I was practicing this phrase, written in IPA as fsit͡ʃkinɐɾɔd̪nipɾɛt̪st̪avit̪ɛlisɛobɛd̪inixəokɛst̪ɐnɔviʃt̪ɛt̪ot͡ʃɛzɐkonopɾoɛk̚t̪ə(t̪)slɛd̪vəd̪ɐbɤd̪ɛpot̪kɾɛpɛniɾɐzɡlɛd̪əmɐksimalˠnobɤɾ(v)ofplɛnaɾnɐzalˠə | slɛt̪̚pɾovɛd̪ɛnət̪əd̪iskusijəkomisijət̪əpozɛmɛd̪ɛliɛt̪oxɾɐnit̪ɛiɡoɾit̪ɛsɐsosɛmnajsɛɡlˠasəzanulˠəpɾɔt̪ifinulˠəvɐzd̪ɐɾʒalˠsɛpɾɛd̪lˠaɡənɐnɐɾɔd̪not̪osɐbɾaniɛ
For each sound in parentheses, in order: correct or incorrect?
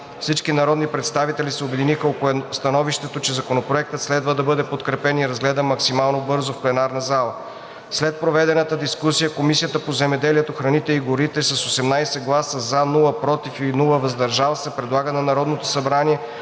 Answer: correct, incorrect

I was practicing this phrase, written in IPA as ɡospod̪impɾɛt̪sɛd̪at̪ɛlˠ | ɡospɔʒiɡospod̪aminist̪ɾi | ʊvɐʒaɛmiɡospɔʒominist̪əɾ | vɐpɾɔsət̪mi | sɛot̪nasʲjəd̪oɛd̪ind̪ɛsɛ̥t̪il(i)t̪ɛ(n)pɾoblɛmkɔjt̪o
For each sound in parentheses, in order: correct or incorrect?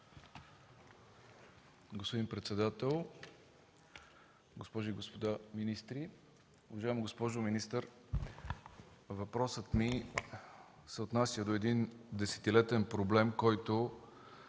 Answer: incorrect, correct

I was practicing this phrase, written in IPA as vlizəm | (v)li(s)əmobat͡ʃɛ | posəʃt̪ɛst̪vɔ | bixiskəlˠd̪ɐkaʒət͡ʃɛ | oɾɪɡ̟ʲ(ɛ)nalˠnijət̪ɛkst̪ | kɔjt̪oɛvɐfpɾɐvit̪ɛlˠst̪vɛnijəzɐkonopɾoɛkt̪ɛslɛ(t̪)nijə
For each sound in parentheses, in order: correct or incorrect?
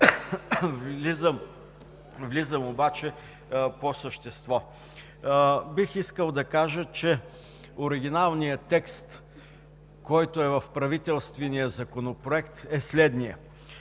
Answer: correct, incorrect, incorrect, incorrect

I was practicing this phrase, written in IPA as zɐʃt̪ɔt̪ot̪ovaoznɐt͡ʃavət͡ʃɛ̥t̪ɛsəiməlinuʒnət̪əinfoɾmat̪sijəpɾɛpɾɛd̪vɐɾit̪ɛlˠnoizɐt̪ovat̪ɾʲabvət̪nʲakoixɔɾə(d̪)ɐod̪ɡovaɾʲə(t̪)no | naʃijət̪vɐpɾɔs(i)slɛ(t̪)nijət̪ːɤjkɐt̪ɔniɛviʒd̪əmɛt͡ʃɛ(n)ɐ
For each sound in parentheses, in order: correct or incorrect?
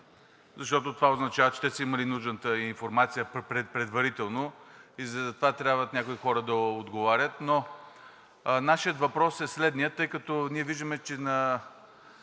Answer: correct, correct, incorrect, incorrect, correct

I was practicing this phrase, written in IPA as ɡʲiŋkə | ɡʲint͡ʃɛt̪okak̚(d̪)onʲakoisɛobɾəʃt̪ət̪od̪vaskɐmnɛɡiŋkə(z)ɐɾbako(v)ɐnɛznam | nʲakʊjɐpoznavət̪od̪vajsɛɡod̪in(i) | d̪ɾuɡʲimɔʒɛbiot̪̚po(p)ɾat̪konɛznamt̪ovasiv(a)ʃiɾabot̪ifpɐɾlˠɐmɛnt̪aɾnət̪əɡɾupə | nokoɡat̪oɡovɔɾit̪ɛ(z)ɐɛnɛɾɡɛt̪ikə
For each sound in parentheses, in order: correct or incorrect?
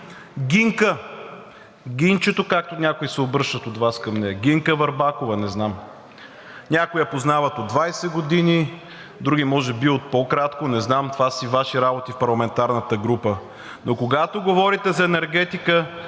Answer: incorrect, incorrect, correct, correct, incorrect, correct, correct

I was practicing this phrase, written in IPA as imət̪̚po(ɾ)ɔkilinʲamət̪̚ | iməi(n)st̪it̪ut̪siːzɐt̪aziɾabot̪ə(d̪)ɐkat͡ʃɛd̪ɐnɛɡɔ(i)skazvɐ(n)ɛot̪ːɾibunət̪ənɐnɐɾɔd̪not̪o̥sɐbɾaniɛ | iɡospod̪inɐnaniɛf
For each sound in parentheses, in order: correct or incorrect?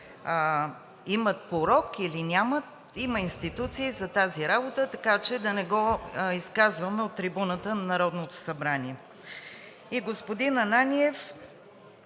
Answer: correct, correct, incorrect, correct, incorrect

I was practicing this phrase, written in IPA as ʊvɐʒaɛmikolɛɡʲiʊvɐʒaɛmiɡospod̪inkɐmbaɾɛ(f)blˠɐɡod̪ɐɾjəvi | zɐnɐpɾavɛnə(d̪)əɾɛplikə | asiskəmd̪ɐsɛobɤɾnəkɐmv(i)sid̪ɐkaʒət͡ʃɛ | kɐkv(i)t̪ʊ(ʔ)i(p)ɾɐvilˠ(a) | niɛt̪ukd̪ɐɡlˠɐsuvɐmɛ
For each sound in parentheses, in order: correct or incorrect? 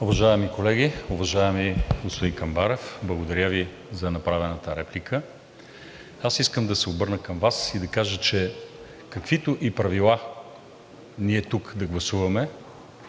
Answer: correct, incorrect, incorrect, correct, correct, correct, correct

